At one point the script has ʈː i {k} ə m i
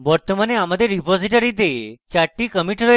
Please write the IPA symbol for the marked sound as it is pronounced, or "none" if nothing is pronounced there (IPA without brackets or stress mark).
k